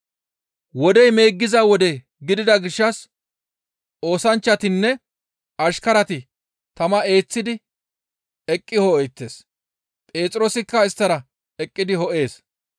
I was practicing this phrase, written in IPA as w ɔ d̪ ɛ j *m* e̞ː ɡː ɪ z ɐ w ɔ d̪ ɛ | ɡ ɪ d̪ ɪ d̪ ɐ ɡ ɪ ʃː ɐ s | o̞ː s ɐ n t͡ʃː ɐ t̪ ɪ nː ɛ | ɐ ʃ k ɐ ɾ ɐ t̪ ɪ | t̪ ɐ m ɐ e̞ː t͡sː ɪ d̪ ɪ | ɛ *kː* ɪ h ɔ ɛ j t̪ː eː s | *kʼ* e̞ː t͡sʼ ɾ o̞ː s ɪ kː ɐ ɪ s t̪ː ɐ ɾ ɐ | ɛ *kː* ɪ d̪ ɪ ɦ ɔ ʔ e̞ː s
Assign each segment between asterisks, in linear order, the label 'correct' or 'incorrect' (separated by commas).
correct, incorrect, incorrect, incorrect